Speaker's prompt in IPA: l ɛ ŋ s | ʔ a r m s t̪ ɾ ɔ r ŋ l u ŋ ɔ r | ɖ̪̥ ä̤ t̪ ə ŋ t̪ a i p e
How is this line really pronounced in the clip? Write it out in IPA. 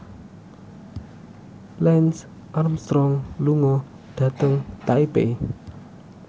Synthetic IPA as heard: l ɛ n s | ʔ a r m s t̪ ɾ ɔ ŋ l u ŋ ɔ | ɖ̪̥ ä̤ t̪ ə ŋ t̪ a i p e